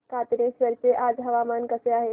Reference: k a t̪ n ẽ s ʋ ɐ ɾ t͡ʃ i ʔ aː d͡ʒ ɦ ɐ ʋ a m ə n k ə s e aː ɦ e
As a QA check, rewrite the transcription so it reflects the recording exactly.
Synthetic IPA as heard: k a t̪ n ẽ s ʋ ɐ ɾ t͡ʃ e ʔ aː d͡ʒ ɦ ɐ ʋ a m a n k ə s e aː ɦ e